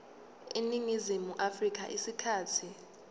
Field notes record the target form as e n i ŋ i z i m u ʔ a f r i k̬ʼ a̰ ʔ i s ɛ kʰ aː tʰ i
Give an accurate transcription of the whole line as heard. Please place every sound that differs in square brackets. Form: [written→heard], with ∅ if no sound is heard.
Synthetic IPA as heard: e n i ŋ i z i m u ʔ a f r i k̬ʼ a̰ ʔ i s [ɛ→i] kʰ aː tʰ i